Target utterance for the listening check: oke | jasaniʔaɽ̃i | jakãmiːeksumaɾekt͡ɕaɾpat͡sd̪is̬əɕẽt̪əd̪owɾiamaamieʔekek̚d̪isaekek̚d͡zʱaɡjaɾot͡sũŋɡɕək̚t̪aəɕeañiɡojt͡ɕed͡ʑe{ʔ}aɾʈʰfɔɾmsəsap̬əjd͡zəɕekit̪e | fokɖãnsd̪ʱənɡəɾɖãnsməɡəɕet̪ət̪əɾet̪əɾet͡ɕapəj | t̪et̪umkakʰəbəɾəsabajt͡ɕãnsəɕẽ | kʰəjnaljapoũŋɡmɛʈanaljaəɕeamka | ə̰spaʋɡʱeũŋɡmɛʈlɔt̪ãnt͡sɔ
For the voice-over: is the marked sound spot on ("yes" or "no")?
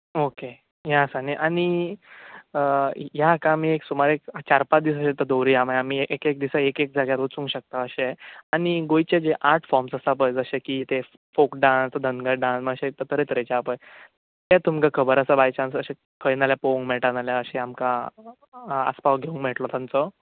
yes